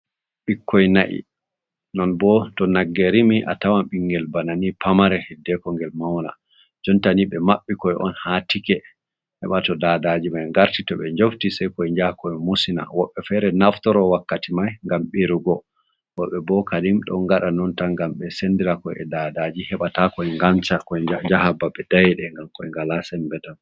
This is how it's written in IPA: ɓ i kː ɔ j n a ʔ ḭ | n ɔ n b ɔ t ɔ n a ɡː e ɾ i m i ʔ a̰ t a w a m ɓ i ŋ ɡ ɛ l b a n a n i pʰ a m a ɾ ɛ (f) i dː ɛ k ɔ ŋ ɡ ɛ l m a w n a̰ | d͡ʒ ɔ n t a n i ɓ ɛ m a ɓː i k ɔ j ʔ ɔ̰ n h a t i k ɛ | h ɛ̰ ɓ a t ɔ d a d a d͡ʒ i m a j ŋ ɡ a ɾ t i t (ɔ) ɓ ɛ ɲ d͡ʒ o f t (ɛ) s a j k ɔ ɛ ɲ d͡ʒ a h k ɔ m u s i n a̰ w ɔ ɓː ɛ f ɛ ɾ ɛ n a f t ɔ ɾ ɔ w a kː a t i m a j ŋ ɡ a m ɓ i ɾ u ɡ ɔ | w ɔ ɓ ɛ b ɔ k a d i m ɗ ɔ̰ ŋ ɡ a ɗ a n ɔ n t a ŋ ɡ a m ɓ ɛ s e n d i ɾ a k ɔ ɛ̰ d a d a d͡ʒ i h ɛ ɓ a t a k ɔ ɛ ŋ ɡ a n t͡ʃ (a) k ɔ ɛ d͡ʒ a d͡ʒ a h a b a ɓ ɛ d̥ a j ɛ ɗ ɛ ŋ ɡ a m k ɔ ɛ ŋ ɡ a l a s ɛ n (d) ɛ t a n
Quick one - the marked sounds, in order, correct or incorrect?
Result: incorrect, correct, incorrect, correct, incorrect

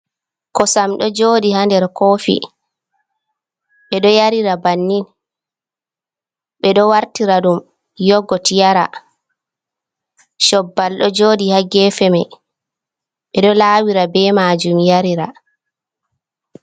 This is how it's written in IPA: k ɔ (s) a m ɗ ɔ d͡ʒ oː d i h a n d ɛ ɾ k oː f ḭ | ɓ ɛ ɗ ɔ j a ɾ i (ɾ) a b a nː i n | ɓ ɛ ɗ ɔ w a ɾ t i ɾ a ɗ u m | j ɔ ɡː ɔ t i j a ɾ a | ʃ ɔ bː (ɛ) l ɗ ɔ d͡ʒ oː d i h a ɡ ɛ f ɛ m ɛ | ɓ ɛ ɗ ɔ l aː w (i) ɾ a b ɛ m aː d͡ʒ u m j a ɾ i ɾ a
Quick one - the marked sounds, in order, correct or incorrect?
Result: correct, correct, incorrect, correct

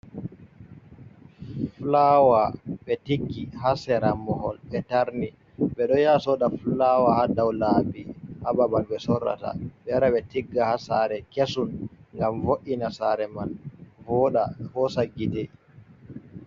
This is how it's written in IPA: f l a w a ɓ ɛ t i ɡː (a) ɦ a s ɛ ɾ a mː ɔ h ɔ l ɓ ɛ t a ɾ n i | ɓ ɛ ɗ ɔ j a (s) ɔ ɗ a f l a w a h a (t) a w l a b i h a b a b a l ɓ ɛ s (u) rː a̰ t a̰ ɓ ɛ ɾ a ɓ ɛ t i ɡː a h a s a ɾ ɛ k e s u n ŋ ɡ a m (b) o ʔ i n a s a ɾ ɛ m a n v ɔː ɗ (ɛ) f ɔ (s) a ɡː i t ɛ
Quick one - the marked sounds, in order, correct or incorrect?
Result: incorrect, correct, incorrect, incorrect, incorrect, incorrect, correct

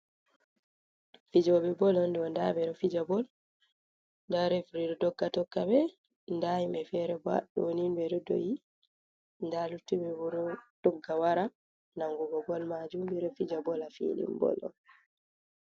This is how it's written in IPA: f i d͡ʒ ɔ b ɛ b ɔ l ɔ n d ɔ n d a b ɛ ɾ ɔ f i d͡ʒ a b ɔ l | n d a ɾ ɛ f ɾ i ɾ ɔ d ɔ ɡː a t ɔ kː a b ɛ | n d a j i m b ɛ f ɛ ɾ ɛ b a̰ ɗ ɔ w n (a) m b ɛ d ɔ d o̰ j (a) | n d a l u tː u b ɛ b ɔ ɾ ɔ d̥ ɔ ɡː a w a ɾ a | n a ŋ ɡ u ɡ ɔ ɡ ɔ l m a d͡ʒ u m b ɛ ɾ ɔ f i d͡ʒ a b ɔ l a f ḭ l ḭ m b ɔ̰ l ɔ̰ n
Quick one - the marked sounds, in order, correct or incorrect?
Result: incorrect, incorrect

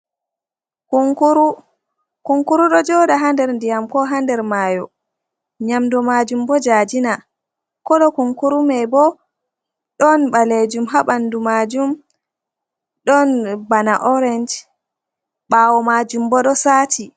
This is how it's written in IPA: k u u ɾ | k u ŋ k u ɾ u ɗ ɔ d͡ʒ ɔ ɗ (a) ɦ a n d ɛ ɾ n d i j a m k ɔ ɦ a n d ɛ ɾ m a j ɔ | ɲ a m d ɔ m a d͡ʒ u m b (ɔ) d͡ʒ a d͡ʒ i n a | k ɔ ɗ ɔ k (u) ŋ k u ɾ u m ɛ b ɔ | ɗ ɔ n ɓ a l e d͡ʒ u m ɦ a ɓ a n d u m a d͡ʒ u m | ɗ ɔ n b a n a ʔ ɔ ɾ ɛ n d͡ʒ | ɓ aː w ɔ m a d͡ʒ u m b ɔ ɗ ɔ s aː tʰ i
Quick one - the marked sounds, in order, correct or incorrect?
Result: correct, correct, correct

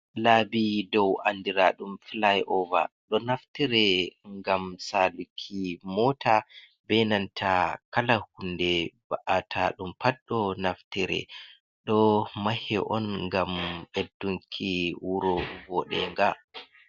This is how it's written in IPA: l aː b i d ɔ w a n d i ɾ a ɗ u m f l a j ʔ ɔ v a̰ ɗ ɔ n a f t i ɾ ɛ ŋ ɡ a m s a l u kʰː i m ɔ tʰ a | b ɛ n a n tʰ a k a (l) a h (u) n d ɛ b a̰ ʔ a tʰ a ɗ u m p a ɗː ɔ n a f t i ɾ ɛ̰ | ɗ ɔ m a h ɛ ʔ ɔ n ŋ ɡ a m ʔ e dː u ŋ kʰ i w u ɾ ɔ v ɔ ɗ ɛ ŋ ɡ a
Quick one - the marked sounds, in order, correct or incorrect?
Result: correct, correct

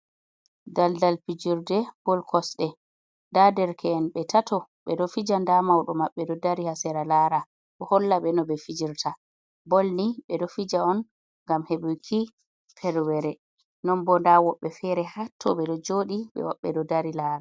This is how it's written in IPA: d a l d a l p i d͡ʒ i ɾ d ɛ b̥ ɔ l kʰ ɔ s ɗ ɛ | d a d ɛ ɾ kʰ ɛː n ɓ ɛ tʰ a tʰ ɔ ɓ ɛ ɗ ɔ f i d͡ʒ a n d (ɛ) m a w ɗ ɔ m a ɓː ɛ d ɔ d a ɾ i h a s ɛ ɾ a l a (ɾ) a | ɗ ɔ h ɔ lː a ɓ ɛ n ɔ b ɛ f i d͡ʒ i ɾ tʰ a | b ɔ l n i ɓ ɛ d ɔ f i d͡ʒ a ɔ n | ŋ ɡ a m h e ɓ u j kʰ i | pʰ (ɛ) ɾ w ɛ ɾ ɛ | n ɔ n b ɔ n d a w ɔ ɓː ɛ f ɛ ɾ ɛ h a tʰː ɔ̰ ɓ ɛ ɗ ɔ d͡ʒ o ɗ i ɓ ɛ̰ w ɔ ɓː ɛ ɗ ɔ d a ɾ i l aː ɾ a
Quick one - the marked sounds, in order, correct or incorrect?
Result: incorrect, correct, correct

